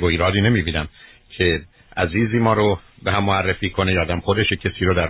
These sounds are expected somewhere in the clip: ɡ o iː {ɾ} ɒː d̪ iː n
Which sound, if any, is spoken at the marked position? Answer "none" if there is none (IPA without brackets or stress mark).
ɾ